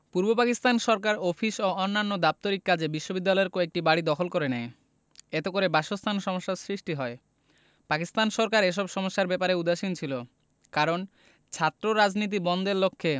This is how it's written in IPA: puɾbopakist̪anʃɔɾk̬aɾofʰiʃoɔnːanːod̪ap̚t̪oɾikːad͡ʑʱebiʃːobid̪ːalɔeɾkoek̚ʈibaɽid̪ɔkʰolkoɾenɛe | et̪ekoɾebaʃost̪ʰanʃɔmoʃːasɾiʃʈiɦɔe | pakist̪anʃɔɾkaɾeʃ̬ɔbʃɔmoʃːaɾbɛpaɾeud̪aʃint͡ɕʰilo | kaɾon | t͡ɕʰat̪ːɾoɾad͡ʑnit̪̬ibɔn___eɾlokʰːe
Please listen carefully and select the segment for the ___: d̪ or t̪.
d̪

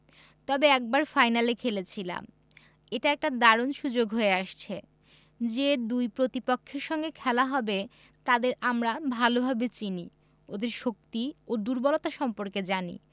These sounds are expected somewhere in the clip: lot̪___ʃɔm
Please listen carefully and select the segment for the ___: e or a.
a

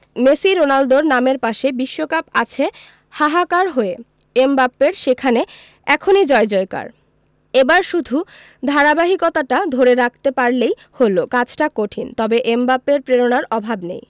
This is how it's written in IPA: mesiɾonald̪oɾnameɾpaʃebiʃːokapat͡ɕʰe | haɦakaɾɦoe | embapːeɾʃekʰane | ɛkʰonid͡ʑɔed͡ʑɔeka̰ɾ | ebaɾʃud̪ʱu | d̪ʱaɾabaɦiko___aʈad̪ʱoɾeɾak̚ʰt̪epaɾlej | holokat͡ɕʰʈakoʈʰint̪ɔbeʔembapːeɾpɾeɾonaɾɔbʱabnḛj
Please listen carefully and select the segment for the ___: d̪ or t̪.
t̪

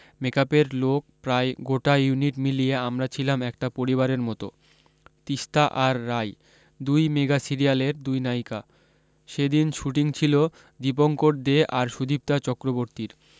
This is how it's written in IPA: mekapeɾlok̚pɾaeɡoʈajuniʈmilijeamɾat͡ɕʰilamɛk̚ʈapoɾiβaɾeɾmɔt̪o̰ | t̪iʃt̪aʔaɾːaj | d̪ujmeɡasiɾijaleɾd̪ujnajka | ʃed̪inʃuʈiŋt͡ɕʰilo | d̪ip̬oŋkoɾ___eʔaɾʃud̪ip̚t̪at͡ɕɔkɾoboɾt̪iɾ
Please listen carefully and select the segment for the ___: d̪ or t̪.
d̪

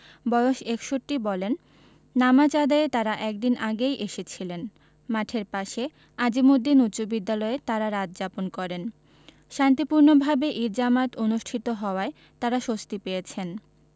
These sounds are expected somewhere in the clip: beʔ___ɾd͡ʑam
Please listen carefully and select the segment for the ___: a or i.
i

